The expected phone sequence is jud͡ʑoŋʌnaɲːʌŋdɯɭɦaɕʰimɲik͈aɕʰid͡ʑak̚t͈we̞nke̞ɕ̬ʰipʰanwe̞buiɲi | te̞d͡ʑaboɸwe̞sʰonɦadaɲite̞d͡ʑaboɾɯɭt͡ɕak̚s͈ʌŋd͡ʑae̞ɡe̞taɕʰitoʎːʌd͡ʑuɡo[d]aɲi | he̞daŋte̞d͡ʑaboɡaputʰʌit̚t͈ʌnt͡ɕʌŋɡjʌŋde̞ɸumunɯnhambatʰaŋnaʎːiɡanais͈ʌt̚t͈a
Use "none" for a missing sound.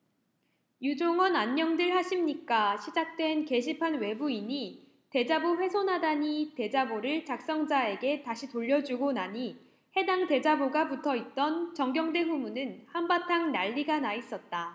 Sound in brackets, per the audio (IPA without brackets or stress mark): n